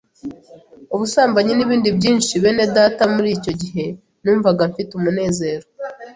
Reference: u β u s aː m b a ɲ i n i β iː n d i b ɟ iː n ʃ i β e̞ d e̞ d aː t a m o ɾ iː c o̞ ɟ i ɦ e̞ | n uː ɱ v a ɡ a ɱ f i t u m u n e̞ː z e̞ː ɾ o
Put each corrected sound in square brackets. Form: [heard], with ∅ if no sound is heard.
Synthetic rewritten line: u β u s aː m b a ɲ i n i β iː n d i b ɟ iː n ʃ i β e̞ [n] e̞ d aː t a m [u] ɾ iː c o̞ ɟ i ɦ e̞ | n uː ɱ v a ɡ a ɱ f i t u m u n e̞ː z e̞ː ɾ o